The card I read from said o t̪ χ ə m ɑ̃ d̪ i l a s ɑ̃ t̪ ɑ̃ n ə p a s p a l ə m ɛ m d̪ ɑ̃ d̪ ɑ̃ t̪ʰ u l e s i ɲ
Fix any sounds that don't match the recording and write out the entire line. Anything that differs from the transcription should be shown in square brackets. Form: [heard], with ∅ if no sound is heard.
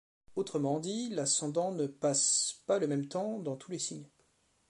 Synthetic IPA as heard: o t̪ χ ə m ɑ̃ d̪ i l a s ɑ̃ [d̪] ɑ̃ n ə p a s p a l ə m ɛ m [t̪] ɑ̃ d̪ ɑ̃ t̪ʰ u l e s i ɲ